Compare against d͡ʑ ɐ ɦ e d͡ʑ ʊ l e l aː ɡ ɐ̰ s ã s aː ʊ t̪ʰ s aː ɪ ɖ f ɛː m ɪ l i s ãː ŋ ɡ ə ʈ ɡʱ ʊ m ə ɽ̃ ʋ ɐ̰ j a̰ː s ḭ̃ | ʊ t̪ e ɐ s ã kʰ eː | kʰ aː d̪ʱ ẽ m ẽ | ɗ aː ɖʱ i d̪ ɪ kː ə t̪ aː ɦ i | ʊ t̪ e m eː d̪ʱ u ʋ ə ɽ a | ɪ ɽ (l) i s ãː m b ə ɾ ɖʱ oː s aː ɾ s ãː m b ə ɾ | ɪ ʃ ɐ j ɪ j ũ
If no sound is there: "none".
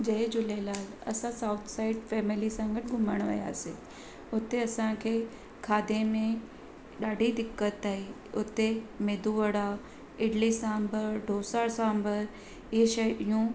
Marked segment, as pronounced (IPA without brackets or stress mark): l